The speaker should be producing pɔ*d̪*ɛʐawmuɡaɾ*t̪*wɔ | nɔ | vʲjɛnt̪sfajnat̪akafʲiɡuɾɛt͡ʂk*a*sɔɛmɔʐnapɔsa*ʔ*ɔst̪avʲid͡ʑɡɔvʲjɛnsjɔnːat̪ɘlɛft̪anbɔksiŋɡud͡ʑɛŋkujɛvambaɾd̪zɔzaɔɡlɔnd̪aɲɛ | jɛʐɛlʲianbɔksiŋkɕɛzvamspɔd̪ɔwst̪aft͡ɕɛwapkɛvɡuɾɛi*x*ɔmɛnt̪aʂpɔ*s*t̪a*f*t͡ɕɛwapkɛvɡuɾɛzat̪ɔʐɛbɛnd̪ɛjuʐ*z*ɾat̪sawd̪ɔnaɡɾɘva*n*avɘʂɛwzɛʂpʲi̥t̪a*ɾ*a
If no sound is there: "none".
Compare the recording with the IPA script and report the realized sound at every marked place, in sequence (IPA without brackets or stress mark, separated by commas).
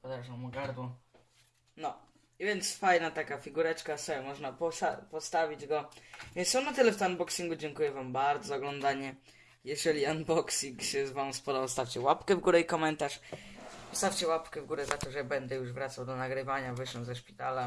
d̪, d̪, a, p, k, s, f, v, ɲ, l